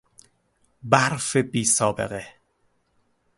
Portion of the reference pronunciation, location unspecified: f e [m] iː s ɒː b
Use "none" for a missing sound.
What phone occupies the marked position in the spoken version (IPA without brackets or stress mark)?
b